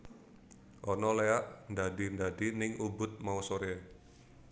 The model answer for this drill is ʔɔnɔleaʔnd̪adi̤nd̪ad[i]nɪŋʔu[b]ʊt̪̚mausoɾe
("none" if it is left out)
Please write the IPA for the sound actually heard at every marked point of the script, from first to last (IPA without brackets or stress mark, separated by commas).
i, b